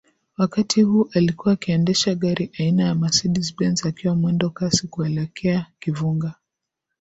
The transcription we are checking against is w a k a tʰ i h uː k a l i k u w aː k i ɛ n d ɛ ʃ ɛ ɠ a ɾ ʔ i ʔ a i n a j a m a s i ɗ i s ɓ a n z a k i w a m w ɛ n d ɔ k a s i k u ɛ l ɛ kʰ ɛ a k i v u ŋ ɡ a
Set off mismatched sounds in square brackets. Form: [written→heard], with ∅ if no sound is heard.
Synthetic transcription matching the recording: w a k a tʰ i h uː [k→ʔ] a l i k u w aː k i ɛ n d ɛ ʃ [ɛ→a] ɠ a ɾ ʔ i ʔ a i n a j a m a s i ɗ i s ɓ [a→ɛ] n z a k i w a m w ɛ n d ɔ k a s i k u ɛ l ɛ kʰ ɛ a k i v u ŋ ɡ a